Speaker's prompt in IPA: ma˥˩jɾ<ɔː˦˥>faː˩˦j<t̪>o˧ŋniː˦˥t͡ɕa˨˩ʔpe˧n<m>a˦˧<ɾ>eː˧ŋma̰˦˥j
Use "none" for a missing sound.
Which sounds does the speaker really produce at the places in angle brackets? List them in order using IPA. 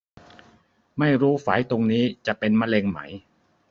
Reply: uː˦˥, t̪, m, l

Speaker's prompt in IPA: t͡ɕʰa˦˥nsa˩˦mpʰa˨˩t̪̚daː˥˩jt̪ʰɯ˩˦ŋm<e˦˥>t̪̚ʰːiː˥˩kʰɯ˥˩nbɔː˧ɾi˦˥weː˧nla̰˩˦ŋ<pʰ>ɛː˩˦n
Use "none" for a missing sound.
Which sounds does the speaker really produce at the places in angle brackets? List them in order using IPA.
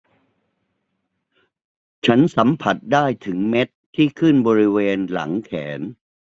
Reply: e˦˥, kʰ

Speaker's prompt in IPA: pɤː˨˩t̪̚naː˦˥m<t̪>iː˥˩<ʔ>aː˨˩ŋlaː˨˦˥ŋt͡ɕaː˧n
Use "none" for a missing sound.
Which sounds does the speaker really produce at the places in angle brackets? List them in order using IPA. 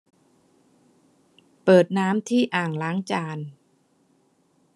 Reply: t̪ʰ, ʔ

